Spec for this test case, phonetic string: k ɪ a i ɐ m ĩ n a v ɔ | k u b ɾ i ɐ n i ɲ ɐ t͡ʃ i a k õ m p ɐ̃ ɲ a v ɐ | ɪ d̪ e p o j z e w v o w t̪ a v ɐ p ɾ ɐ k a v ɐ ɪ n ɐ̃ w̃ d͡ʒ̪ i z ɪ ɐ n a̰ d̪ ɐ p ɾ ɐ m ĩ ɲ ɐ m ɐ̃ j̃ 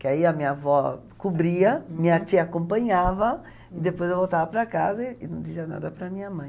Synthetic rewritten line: k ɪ a i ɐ m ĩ ɲ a v ɔ | k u b ɾ i ɐ m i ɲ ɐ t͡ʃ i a k õ m p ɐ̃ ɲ a v ɐ | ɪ d̪ e p o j z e w v o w t̪ a v ɐ p ɾ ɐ k a z ɐ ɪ n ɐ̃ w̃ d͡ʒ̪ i z i ɐ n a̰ d̪ ɐ p ɾ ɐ m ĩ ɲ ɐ m ɐ̃ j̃